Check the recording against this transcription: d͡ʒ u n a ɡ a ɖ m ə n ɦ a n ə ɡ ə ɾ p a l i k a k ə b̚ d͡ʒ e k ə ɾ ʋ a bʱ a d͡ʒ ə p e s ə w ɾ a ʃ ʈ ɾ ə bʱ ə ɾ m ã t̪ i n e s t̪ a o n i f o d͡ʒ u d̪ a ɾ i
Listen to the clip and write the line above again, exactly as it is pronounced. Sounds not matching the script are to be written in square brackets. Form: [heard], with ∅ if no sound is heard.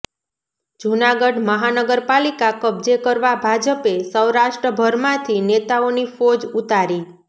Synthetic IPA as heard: d͡ʒ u n a ɡ [ə] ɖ m ə [∅] ɦ a n ə ɡ ə ɾ p a l i k a k ə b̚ d͡ʒ e k ə ɾ ʋ a bʱ a d͡ʒ ə p e s ə w ɾ a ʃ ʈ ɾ ə bʱ ə ɾ m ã [t̪ʰ] i n e [∅] t̪ a o n i f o d͡ʒ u [t̪] a ɾ i